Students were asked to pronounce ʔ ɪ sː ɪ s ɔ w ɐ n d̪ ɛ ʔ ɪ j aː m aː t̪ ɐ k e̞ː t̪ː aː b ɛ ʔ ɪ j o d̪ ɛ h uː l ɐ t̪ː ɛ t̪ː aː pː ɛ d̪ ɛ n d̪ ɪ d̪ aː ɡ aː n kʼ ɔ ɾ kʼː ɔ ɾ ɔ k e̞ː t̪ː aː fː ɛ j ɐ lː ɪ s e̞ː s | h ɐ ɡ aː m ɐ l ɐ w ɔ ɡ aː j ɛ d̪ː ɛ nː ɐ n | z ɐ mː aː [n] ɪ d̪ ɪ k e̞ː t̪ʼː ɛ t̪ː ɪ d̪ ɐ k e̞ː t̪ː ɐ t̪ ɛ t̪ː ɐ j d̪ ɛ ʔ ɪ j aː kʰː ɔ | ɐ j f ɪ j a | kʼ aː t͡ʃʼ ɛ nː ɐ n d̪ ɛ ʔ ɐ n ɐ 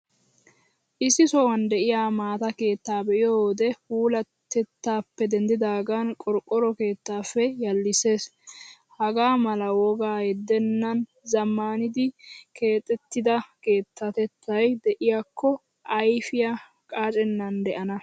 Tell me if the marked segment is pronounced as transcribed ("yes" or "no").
yes